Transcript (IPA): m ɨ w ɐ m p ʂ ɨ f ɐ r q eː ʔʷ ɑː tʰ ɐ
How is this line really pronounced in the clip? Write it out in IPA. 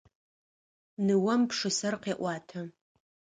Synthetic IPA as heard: n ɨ w ɐ m p ʂ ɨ s ɐ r q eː ʔʷ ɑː tʰ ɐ